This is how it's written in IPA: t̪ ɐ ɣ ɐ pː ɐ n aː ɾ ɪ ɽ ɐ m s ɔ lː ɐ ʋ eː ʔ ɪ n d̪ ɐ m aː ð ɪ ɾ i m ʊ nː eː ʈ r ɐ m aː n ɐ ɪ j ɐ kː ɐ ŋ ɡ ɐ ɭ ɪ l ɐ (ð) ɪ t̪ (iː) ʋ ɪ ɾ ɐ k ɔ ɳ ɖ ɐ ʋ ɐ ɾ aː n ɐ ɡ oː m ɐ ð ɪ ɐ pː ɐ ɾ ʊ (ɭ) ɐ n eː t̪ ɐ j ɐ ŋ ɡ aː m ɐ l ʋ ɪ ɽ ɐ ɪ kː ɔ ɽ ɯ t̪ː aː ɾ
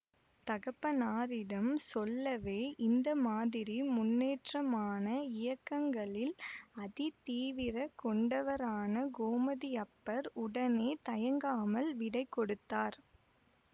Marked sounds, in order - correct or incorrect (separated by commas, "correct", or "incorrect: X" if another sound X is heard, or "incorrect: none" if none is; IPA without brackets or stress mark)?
correct, correct, incorrect: ɽ